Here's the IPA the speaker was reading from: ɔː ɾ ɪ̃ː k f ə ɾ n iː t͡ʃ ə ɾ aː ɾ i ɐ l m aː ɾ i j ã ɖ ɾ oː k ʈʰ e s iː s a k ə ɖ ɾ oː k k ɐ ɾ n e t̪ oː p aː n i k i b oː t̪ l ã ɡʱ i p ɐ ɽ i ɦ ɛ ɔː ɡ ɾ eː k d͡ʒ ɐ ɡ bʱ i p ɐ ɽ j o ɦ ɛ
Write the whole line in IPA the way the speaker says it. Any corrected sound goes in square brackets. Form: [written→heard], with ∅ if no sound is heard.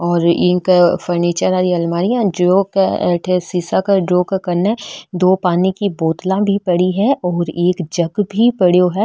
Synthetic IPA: ɔː ɾ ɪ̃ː k f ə ɾ n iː t͡ʃ ə ɾ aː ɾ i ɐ l m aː ɾ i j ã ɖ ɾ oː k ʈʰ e s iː s a k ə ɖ ɾ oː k k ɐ ɾ n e [t̪→d̪] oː p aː n i k i b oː t̪ l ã [ɡʱ→bʱ] i p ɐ ɽ i ɦ ɛ ɔː [ɡ→∅] ɾ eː k d͡ʒ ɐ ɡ bʱ i p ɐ ɽ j o ɦ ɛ